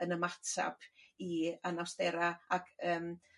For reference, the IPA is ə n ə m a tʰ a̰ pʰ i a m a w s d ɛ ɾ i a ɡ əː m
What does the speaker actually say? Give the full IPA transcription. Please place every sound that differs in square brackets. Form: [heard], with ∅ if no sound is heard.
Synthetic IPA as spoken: ə n ə m a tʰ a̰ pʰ i a [n] a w s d ɛ ɾ [a] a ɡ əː m